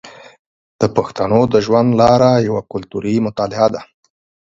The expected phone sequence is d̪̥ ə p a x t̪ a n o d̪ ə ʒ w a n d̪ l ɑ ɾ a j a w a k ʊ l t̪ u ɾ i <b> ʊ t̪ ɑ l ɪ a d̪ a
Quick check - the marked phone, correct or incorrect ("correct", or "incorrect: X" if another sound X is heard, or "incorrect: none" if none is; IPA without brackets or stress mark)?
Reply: incorrect: m